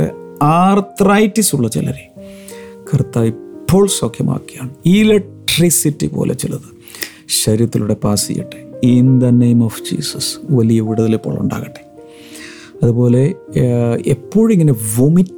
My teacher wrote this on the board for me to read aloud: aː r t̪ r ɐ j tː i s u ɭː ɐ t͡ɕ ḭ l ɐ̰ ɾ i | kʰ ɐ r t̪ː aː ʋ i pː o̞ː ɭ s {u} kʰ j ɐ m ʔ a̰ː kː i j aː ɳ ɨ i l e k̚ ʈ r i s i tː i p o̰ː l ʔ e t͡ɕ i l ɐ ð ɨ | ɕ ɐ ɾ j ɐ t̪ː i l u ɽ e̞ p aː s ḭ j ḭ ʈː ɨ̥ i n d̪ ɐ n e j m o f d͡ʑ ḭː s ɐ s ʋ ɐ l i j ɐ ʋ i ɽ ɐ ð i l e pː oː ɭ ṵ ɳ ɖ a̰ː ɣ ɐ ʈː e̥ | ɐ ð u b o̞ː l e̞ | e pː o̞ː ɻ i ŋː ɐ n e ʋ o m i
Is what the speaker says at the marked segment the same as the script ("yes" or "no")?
no